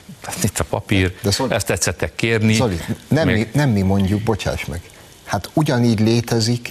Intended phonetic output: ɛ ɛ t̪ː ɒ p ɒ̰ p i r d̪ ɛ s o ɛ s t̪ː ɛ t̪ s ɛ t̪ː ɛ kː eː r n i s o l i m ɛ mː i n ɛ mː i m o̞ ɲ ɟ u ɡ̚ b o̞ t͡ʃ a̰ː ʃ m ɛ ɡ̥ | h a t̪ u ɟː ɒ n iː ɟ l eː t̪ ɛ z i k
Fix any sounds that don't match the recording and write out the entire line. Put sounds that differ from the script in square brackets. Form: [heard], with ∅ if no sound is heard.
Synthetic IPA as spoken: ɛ [i] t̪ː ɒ p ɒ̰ p i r d̪ ɛ s o ɛ s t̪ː ɛ t̪ s ɛ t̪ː ɛ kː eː r n i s o l i [n] ɛ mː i n ɛ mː i m o̞ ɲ ɟ u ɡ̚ b o̞ t͡ʃ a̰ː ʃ m ɛ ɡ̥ | h a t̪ u [ɟ] ɒ n iː ɟ l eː t̪ ɛ z i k